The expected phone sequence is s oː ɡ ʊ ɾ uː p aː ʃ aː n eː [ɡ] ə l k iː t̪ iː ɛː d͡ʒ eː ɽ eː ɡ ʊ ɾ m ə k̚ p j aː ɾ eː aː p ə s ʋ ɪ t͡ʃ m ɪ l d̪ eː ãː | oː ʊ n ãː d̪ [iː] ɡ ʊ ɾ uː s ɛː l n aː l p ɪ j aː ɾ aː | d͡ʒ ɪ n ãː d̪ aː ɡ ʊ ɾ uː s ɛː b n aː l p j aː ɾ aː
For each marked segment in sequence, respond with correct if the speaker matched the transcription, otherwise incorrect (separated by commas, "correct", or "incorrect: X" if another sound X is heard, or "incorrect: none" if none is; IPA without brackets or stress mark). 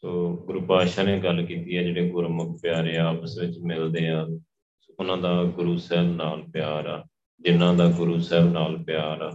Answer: correct, incorrect: aː